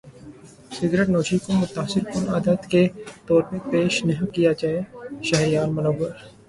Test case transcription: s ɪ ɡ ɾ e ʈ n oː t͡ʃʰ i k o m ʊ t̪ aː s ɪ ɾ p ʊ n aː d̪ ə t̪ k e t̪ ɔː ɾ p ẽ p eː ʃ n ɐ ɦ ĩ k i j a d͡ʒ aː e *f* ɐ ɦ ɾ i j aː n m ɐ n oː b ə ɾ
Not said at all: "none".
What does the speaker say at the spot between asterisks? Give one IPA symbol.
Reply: ʃ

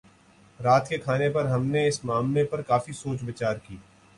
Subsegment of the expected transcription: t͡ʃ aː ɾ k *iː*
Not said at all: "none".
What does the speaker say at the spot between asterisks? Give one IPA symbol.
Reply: iː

